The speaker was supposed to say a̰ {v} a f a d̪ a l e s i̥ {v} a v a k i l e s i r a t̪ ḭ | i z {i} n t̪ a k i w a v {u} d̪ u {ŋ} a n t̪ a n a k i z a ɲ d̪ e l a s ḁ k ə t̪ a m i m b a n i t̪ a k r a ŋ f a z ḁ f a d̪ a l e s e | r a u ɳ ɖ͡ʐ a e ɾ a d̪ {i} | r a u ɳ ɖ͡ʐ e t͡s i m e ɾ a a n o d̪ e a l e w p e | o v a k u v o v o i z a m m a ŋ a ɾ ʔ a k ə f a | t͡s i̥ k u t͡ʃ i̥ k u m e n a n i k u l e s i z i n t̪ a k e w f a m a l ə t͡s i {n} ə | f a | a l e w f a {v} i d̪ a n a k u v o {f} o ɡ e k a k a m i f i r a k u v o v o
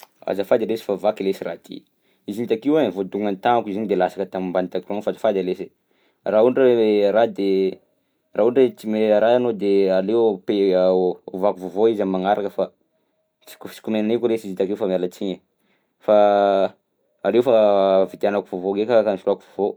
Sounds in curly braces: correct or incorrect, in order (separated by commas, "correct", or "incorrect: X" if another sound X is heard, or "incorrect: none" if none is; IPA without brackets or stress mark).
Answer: incorrect: z, incorrect: f, correct, incorrect: o, correct, incorrect: e, incorrect: ɲ, correct, incorrect: v